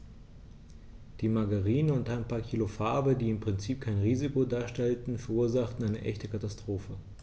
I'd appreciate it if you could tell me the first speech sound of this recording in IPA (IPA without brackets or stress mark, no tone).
d̥